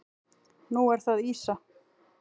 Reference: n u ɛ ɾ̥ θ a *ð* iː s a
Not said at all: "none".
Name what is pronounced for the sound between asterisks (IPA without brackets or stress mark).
ð